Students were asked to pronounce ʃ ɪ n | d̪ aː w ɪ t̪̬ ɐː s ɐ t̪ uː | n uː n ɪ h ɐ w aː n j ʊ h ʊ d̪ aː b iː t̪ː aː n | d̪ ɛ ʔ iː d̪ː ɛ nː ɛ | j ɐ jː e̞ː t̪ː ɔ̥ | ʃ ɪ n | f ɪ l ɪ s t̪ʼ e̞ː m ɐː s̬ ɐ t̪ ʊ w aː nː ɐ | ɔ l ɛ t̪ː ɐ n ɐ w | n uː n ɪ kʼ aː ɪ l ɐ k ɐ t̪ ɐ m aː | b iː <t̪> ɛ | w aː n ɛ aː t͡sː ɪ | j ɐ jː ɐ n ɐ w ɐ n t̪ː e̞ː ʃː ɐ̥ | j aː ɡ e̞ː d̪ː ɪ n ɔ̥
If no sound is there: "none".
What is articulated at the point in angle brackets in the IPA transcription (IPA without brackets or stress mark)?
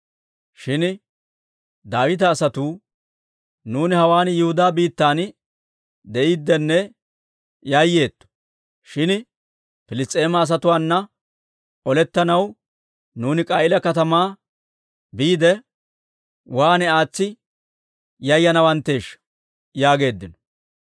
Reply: d̪